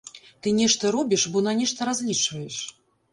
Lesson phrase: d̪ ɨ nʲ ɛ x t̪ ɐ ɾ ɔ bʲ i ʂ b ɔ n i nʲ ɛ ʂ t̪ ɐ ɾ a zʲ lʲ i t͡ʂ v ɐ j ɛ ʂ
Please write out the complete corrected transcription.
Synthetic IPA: t̪ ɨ nʲ ɛ ʂ t̪ ɐ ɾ ɔ bʲ i ʂ b ɔ n a nʲ ɛ ʂ t̪ ɐ ɾ a zʲ lʲ i t͡ʂ v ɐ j ɛ ʂ